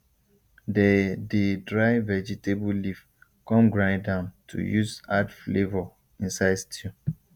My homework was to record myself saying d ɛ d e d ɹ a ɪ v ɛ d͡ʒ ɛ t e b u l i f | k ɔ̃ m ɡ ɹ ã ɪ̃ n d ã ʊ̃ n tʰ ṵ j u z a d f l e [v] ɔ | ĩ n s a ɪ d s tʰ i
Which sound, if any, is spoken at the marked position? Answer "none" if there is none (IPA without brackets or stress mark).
v